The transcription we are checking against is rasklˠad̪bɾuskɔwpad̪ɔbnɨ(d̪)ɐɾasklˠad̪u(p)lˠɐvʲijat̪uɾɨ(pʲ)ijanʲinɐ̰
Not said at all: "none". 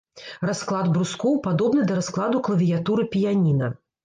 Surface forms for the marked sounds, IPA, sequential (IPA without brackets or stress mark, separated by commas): d̪, k, pʲ